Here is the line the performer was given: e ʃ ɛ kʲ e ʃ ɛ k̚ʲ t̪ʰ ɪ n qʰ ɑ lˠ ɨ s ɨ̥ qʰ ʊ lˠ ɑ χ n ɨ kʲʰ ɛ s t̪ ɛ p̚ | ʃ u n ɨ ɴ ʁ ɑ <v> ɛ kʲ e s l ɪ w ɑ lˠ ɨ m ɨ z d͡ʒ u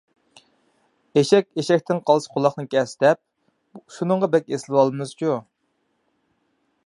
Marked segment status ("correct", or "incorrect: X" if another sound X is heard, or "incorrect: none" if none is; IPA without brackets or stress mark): incorrect: b